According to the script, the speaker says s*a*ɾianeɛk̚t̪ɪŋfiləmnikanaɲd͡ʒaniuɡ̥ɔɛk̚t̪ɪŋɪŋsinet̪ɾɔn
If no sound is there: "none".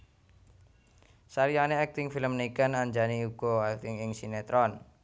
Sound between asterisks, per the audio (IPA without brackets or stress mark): a